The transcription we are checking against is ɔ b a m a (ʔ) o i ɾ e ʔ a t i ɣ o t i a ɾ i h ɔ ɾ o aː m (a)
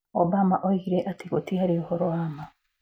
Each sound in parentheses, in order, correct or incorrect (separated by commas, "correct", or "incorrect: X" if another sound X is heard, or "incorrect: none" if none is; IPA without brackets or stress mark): correct, correct